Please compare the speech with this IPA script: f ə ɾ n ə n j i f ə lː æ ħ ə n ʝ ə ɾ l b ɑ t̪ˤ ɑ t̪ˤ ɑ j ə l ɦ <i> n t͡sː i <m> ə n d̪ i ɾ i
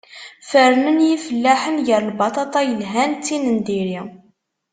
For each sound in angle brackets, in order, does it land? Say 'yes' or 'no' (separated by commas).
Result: no, no